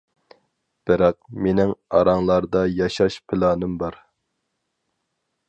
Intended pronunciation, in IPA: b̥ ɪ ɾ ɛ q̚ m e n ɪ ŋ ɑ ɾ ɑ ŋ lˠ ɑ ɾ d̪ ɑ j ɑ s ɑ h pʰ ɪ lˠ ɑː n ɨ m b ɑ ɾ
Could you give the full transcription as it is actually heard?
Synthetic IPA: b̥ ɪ ɾ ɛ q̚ m e n ɪ ŋ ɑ ɾ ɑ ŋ lˠ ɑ ɾ d̪ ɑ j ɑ ʃ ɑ ʃ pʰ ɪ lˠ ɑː n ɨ m b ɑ ɾ